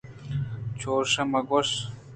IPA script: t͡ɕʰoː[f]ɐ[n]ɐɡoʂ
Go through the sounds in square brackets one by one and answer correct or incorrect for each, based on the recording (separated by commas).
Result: incorrect, incorrect